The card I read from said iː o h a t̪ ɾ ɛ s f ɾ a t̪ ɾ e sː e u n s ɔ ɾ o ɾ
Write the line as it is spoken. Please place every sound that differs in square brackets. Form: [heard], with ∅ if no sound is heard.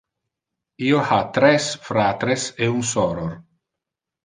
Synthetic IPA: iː o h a t̪ ɾ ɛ s f ɾ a t̪ ɾ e [s] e u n s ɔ ɾ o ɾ